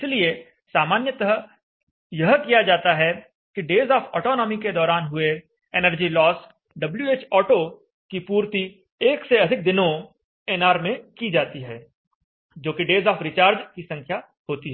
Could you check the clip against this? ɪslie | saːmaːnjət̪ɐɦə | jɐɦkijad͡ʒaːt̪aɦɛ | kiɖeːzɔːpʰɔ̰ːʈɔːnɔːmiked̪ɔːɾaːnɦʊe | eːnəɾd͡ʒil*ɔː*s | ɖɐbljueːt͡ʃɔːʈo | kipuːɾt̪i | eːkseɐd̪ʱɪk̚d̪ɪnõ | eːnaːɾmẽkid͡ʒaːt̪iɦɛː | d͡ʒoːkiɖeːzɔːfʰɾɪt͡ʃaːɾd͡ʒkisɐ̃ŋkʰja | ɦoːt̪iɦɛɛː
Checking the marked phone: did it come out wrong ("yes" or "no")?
no